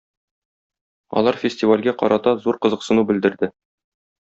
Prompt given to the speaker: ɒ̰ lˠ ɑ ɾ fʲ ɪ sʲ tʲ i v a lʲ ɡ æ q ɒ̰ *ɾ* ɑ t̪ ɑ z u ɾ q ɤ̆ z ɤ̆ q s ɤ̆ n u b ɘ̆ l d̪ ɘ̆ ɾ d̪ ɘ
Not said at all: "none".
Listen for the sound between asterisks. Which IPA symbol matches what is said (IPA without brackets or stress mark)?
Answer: ɾ